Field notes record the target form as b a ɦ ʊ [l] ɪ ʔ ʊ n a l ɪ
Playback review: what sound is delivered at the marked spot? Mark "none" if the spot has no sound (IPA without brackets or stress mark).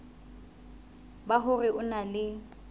r